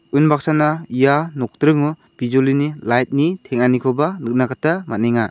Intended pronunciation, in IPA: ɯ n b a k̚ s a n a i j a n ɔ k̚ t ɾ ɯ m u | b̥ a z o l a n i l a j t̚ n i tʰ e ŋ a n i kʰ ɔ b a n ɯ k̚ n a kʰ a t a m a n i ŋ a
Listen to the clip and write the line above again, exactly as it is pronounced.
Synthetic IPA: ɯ n b a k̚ s a n a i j a n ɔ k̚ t ɾ ɯ ŋ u | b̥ i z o l i n i l a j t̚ n i tʰ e ŋ a n i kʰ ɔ b a n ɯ k̚ n a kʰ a t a m a n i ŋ a

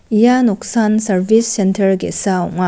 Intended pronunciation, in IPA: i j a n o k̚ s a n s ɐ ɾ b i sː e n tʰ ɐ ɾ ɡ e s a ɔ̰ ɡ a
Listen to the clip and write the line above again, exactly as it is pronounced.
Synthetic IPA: i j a n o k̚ s a n s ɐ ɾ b i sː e n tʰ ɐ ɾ ɡ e s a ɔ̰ ŋ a

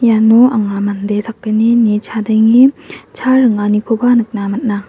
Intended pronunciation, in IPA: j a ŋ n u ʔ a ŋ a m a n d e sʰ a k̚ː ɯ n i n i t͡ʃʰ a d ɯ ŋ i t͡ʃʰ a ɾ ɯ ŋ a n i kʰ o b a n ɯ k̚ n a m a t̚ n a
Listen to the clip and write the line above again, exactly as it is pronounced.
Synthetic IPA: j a n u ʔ a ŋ a m a n d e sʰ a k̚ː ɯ n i n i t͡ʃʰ a d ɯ ŋ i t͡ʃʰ a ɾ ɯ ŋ a n i kʰ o b a n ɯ k̚ n a m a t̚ n a

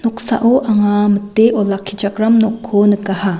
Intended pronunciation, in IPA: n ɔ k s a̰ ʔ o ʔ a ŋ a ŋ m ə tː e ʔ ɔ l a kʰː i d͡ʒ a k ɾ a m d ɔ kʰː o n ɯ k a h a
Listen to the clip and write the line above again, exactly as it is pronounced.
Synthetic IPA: n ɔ k s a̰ ʔ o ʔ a ŋ a m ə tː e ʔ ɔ l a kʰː i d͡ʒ a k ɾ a m n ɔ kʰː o n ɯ k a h a

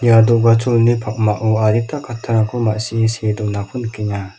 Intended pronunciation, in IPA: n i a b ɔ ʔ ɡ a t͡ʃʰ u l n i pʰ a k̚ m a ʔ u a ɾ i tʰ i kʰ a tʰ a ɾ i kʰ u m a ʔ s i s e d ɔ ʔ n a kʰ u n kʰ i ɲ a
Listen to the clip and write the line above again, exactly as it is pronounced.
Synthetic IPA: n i a d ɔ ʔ ɡ a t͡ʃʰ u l n i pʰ a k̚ m a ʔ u a ɾ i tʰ a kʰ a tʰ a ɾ a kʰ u m a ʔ s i s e d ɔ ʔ n a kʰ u n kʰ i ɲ a

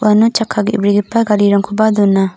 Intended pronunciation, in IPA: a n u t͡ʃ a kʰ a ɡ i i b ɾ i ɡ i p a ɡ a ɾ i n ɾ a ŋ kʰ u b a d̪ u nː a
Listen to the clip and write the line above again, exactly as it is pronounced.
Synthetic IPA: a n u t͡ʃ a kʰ a ɡ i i b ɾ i ɡ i p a ɡ a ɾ i ɾ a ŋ kʰ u b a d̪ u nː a

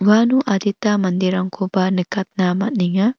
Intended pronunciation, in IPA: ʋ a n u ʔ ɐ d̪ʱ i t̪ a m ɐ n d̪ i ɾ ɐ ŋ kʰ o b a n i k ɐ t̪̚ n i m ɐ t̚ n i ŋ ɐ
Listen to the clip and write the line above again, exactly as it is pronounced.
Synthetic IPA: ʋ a n u ʔ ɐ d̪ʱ i t̪ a m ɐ n d̪ i ɾ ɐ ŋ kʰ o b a n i k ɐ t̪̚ n a m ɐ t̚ n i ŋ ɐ

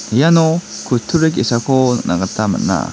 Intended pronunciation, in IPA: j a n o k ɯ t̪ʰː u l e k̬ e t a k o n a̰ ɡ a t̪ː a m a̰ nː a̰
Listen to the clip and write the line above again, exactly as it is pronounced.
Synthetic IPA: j a n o k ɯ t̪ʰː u ɾ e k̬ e s a k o n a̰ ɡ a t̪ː a m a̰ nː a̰

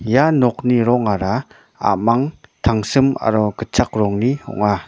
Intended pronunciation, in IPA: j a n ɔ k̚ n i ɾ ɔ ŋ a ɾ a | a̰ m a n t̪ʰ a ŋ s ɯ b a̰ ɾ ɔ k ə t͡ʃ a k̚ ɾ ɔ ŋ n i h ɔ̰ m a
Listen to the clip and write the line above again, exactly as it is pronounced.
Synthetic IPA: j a n ɔ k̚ n i ɾ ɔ ŋ a ɾ a | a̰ m a ŋ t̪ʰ a ŋ s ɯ m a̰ ɾ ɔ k ə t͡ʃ a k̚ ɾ ɔ ŋ n i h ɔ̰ ŋ a

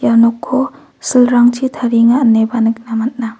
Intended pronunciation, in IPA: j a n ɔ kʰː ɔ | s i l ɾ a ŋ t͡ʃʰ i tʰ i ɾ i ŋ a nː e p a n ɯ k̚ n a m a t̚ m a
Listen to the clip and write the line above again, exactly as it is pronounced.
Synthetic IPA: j a n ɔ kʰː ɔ | s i l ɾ a ŋ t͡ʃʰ i tʰ a ɾ i ŋ a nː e b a n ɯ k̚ n a m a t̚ n a

